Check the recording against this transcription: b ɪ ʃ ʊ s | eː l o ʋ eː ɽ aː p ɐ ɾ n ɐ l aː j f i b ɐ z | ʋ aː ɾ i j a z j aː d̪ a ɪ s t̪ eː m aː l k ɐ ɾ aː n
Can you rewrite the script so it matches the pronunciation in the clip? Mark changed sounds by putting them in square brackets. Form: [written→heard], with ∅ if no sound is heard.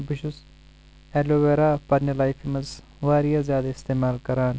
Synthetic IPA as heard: b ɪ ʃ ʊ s | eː l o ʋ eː [ɽ→ɾ] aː p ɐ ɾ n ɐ l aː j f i [b→m] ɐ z | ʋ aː ɾ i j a z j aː d̪ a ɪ s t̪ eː m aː l k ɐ ɾ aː n